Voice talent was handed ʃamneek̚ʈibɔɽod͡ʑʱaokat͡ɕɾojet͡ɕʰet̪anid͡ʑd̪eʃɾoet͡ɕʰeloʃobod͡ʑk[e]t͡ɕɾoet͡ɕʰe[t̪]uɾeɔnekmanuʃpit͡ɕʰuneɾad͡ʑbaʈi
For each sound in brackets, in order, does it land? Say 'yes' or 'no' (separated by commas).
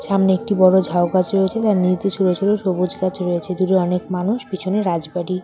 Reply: no, no